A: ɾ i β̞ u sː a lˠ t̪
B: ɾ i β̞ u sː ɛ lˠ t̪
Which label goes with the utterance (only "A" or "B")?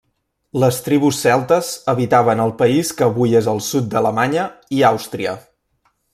B